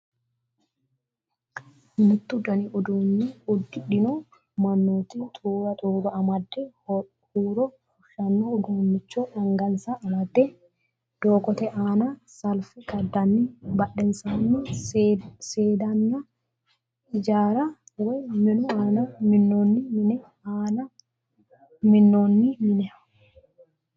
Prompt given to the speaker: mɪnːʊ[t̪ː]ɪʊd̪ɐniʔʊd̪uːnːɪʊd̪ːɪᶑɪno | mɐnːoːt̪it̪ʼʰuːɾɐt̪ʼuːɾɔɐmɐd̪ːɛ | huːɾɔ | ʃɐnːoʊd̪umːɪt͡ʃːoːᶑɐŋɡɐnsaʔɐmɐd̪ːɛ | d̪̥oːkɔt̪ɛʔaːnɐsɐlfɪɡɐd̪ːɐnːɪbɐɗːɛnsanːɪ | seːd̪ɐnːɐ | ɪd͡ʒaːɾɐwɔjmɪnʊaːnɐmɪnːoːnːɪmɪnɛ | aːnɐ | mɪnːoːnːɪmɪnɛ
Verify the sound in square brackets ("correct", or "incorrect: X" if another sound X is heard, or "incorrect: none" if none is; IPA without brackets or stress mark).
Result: correct